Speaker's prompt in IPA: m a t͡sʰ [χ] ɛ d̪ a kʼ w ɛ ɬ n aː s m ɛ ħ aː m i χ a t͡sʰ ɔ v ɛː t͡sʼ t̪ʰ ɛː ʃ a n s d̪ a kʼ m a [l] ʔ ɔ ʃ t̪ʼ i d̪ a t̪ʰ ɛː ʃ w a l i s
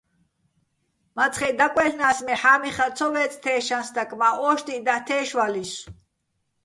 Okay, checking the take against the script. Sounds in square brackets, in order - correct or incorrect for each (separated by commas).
correct, incorrect